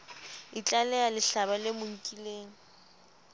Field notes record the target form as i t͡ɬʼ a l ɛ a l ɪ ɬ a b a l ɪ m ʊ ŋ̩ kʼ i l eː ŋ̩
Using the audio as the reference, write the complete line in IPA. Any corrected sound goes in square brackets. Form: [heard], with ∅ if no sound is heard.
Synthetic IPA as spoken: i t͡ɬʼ a l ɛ a l ɪ ɬ a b a l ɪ m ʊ ŋ̩ kʼ i l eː ŋ̩